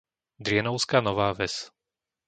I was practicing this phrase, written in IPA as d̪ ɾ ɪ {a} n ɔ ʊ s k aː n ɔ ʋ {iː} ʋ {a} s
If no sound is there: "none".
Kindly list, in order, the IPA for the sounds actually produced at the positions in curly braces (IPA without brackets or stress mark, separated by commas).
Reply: ɛ, aː, ɛ